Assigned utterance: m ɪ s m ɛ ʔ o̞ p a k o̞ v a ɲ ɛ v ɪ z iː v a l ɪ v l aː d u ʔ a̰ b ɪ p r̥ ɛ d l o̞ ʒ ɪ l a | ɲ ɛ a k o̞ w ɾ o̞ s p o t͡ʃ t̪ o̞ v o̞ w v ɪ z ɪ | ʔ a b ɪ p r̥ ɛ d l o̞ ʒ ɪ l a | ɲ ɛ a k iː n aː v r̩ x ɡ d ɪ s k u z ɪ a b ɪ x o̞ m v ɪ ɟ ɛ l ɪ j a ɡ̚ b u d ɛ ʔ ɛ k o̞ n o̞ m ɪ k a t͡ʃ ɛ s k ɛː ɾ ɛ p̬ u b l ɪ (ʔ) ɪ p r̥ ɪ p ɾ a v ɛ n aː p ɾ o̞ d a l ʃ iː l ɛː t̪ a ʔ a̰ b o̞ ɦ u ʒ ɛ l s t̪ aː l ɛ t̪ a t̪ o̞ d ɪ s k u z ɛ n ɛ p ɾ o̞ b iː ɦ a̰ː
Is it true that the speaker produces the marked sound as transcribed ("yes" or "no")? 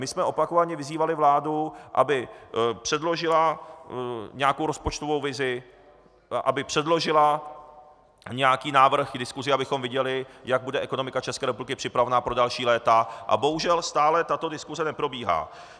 no